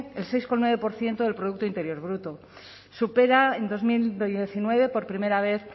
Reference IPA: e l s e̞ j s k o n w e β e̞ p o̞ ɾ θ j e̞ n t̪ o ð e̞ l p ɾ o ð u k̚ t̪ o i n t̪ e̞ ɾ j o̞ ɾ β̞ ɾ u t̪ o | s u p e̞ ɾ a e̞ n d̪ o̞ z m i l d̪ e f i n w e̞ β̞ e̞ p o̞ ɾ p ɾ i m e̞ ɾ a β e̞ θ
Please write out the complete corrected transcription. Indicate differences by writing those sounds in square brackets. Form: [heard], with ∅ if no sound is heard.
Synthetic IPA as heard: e l s e̞ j s k o n w e β e̞ p o̞ ɾ θ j e̞ n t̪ o ð e̞ l p ɾ o ð u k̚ t̪ o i n t̪ e̞ ɾ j o̞ ɾ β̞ ɾ u t̪ o | s u p e̞ ɾ a e̞ n d̪ o̞ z m i l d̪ e [θ] i n w e̞ β̞ e̞ p o̞ ɾ p ɾ i m e̞ ɾ a β e̞ θ